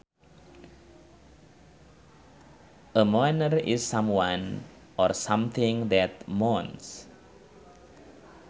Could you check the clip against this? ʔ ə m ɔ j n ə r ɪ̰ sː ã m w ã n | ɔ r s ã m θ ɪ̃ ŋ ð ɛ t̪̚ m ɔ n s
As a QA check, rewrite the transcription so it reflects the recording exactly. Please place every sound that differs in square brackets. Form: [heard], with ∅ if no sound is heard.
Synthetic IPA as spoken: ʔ ə m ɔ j n ə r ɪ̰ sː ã m w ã n | ɔ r s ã m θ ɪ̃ ŋ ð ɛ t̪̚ m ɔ n s